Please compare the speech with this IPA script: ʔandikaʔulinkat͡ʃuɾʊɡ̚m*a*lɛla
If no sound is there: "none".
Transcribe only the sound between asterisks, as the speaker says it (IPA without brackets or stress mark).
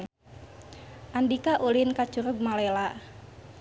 a